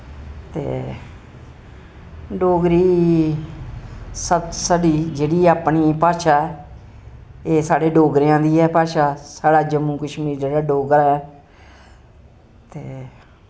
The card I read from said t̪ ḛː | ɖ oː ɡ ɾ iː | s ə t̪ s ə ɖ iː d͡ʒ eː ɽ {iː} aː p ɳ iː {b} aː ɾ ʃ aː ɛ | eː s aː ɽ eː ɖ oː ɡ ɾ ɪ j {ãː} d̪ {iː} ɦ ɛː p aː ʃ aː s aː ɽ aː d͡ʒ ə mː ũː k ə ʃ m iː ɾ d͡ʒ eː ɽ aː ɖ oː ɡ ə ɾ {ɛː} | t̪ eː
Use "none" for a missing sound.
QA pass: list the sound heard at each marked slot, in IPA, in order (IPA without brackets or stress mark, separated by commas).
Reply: iː, p, ãː, iː, ɛː